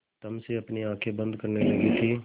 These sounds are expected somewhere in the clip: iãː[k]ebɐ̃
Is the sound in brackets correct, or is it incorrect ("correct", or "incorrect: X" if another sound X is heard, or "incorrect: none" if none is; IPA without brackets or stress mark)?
incorrect: kʰ